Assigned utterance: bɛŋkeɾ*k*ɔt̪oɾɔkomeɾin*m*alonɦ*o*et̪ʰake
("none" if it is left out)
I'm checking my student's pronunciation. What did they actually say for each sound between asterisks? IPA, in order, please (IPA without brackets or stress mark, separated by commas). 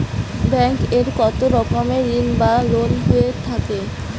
k, b, o